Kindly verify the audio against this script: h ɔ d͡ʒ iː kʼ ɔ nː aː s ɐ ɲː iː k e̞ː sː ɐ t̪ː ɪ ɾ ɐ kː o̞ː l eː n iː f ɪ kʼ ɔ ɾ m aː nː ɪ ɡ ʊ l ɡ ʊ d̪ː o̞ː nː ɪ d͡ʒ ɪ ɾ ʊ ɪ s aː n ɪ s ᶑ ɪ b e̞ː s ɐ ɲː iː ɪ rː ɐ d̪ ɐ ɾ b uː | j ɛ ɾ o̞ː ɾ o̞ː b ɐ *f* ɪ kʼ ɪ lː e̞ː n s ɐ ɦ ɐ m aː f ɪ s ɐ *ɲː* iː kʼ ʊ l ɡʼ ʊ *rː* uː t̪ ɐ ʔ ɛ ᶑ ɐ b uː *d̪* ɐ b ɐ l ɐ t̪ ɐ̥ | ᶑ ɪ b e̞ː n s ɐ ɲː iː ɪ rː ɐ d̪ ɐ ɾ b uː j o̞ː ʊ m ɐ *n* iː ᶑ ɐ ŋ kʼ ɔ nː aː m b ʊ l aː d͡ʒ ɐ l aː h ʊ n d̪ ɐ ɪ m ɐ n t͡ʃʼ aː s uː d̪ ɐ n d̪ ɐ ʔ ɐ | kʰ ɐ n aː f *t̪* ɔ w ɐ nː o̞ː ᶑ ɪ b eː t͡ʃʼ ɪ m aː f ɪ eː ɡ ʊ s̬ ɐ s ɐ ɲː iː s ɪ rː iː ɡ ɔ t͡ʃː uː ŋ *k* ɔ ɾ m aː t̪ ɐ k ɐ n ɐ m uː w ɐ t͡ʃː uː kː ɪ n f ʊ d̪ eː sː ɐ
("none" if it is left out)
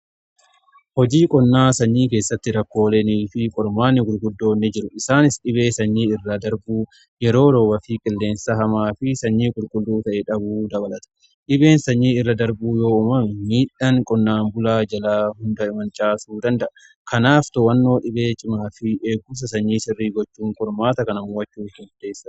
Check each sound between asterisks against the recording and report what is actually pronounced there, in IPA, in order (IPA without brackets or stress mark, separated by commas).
f, ɲː, lː, d̪, m, t̪, kʼ